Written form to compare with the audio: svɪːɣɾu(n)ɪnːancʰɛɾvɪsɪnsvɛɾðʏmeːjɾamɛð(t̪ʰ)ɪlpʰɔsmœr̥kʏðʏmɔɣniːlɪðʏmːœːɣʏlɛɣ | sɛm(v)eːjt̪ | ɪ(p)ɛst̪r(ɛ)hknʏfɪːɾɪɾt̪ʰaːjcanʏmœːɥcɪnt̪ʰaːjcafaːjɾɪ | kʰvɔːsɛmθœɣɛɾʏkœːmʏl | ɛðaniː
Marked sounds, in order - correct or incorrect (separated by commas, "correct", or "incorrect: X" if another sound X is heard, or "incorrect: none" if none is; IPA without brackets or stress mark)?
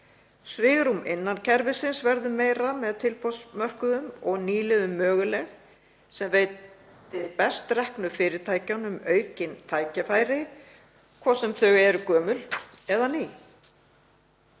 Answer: incorrect: m, correct, correct, correct, correct